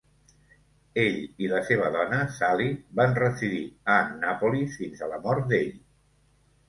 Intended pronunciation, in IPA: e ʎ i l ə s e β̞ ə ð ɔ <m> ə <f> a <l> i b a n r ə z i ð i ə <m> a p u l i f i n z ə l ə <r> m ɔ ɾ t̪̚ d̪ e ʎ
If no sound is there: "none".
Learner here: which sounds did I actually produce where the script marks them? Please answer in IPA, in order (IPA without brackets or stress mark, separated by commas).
n, s, l, n, none